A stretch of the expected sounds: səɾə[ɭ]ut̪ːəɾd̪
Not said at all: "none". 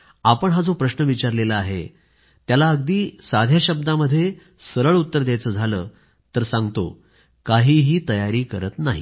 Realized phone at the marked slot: ɭ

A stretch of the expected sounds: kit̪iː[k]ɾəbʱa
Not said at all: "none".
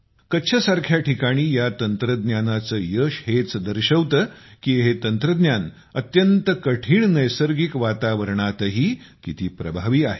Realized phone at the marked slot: p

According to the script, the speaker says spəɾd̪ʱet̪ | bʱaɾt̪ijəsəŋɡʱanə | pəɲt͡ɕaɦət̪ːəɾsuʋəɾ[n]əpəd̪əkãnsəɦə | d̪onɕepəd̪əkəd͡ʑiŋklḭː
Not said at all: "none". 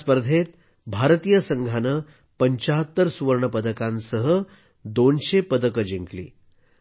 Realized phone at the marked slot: ɳ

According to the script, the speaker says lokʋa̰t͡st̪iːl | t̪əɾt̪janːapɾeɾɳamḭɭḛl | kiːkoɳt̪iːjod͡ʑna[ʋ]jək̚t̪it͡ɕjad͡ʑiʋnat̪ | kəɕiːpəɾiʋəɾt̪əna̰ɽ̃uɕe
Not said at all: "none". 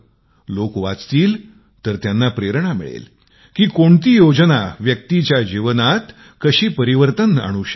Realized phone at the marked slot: ʋ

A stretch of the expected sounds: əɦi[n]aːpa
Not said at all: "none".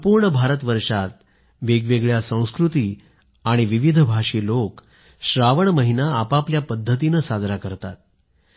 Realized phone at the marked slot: n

